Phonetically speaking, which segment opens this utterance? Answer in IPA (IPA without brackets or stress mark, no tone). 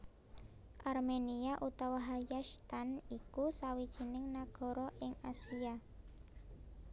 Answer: ʔ